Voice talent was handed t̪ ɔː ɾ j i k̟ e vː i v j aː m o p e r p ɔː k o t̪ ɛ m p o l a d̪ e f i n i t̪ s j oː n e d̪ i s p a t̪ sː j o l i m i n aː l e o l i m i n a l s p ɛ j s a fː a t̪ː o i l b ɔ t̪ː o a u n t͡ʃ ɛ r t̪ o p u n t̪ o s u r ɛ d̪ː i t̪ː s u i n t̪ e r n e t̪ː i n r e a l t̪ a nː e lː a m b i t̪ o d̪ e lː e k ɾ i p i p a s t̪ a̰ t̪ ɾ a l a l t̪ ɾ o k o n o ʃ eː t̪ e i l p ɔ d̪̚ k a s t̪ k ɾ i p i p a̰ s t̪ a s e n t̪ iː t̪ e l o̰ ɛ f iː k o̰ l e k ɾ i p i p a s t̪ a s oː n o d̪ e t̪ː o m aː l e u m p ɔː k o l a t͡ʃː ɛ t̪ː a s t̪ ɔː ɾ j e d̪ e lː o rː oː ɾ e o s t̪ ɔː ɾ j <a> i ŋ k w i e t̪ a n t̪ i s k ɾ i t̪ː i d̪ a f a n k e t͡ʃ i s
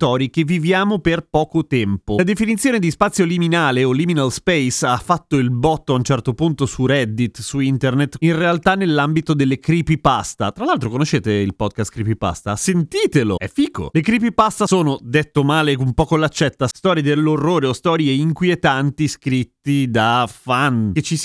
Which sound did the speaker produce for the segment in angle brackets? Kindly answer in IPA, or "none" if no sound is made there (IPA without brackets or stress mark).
e